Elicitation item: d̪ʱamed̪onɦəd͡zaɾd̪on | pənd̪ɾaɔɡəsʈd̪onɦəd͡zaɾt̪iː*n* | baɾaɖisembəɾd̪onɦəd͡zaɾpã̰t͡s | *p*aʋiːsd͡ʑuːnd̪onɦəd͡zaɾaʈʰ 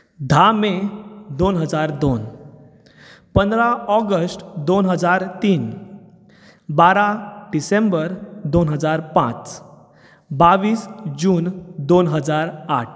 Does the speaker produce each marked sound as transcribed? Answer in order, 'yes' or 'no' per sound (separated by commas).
yes, no